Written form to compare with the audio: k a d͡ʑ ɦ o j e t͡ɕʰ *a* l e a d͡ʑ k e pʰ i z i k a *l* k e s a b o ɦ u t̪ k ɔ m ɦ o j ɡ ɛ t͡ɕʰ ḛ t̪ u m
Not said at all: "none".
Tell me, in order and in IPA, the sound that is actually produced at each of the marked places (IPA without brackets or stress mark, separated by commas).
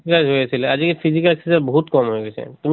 i, l